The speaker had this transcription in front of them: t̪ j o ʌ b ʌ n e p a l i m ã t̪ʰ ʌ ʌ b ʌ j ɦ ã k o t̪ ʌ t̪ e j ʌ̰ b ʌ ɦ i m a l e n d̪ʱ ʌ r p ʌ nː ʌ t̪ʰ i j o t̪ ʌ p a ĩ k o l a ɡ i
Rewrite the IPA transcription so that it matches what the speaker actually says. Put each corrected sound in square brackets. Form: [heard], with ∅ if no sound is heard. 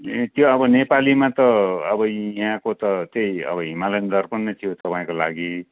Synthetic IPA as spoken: t̪ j o ʌ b ʌ n e p a l i m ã [t̪] ʌ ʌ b ʌ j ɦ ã k o t̪ ʌ t̪ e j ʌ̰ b ʌ ɦ i m a l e n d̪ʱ ʌ r p ʌ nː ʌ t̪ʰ i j o t̪ ʌ p a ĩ k o l a ɡ i